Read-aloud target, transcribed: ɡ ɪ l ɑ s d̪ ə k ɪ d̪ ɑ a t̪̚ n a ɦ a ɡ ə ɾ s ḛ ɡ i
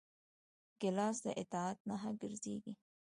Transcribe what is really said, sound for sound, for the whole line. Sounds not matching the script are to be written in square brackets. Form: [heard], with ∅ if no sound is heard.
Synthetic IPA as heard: ɡ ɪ l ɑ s d̪ ə [ʔ] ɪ [t̪] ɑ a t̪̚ n a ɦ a ɡ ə ɾ [z] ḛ ɡ i